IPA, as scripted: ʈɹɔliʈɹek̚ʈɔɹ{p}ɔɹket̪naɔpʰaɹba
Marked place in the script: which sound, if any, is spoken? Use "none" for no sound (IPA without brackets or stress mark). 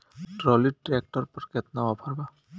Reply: p